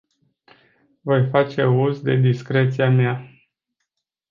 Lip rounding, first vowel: rounded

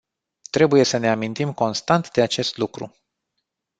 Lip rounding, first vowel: unrounded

